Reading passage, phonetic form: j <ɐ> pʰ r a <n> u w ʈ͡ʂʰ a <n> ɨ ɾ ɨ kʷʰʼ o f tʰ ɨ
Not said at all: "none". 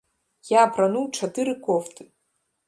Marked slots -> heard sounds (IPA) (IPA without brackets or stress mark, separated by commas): a, n, d